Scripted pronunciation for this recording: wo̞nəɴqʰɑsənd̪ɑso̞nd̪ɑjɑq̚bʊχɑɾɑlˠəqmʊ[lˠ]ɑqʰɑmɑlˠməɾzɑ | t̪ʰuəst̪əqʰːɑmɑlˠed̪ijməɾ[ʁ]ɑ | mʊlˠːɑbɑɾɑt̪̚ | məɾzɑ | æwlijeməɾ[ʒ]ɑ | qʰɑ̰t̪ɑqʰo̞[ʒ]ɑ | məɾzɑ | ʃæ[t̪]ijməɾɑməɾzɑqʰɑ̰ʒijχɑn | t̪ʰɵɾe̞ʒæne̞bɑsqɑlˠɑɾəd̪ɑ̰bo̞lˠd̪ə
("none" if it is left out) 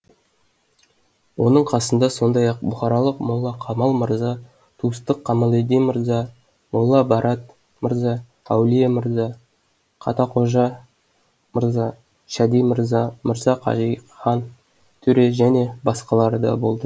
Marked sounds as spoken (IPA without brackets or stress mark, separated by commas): lˠː, z, z, ʒ, d̪